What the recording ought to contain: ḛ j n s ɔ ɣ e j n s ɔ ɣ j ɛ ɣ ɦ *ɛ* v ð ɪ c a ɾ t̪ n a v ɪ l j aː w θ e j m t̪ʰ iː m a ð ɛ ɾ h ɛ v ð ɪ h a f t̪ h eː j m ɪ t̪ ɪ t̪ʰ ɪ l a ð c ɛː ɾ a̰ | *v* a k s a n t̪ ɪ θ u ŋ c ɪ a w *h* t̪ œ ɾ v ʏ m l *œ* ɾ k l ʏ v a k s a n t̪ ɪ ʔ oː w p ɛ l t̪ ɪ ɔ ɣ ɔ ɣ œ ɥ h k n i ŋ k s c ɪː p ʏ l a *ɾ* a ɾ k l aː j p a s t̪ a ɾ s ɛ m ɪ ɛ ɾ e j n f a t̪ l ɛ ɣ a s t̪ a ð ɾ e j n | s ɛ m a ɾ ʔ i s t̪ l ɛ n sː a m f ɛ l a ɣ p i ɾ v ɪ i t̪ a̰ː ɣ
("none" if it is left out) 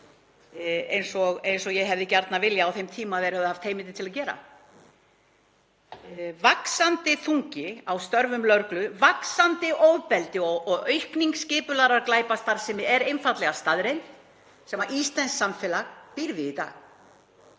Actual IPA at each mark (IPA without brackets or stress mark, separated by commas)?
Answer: ɛ, v, s, œ, ɾ